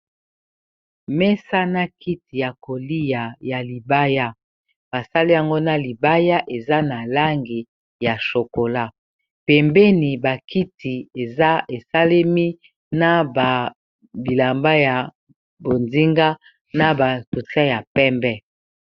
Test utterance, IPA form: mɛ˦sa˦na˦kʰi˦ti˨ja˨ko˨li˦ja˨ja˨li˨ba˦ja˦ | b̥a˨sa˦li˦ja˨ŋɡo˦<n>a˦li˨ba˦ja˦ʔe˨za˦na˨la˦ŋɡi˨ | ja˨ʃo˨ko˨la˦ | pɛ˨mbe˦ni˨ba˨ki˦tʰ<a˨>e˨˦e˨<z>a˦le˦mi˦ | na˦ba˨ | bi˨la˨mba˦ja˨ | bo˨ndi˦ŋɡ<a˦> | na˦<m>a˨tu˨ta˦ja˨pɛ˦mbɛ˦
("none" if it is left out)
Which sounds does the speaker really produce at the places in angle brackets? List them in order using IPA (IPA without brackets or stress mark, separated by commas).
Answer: n, i˨, s, a˦, b